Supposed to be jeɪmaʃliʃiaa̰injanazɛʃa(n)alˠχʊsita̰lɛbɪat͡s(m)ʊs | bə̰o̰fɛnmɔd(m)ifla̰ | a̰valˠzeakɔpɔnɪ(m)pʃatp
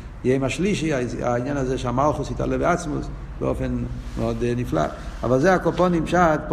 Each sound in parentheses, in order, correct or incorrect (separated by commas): incorrect, correct, incorrect, correct